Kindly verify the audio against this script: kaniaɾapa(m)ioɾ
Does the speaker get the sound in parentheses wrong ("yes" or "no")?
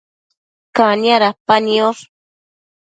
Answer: yes